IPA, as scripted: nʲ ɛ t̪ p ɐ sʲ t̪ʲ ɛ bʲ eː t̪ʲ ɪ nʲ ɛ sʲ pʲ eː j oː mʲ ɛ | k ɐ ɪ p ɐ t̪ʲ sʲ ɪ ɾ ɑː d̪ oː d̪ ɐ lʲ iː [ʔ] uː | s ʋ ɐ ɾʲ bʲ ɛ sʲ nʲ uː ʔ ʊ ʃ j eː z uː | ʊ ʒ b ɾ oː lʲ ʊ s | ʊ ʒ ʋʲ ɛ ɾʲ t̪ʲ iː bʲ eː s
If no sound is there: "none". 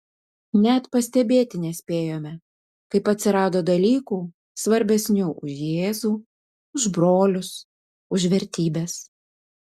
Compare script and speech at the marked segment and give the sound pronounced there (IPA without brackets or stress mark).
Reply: k